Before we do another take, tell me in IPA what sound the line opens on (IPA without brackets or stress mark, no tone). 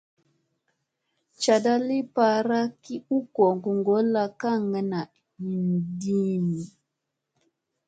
t͡ʃ